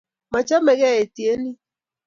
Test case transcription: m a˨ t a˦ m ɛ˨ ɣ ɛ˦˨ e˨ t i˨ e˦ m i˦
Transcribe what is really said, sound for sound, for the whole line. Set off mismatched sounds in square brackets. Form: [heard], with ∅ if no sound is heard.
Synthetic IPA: m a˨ [t͡ʃ] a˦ m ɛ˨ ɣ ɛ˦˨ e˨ t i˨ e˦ [n] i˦